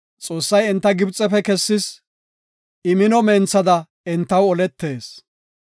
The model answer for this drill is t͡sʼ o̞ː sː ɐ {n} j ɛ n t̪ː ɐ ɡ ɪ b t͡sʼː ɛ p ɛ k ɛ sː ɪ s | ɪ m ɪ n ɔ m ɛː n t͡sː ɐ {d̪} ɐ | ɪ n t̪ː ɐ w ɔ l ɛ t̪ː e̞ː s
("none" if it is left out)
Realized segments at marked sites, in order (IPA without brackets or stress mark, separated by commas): none, d̪